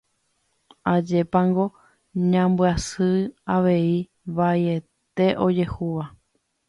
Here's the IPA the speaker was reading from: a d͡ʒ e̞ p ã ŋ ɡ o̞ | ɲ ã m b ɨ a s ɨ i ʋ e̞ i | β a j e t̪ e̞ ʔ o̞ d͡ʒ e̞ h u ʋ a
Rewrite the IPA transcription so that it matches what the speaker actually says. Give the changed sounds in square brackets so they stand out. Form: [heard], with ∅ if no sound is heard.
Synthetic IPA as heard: a d͡ʒ e̞ p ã ŋ ɡ o̞ | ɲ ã m b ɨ a s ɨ [a] ʋ e̞ i | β a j e t̪ e̞ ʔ o̞ d͡ʒ e̞ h u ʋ a